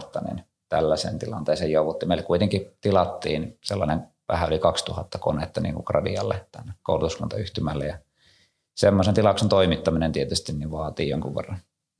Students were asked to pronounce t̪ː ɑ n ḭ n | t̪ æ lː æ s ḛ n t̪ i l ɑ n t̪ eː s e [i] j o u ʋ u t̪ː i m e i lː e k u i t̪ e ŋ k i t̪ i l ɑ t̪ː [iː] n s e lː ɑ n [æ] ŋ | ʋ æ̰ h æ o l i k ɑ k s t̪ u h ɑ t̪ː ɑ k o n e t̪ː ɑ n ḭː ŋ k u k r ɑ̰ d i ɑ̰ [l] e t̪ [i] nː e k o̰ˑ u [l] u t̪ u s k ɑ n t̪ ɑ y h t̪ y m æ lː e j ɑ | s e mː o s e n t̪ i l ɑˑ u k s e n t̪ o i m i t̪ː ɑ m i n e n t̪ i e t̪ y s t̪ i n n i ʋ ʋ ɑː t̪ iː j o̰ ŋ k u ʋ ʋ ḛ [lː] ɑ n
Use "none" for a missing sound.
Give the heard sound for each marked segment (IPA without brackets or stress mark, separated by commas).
j, iː, e, lː, æ, l, rː